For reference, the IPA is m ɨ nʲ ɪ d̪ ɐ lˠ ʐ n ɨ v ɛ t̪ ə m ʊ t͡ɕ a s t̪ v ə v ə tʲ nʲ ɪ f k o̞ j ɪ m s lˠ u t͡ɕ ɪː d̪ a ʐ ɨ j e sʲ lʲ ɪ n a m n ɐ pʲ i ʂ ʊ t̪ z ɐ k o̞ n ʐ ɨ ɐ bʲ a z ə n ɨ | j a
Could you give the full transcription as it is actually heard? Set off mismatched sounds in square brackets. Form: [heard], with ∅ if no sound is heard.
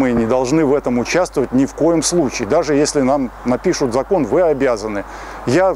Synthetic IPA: m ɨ nʲ ɪ d̪ ɐ lˠ ʐ n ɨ v ɛ t̪ ə m ʊ t͡ɕ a s t̪ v ə v ə tʲ nʲ ɪ f k o̞ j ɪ m s lˠ u t͡ɕ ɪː d̪ a ʐ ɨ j e sʲ lʲ ɪ n a m n ɐ pʲ i ʂ ʊ t̪ z ɐ k o̞ n [v] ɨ ɐ bʲ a z ə n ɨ | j a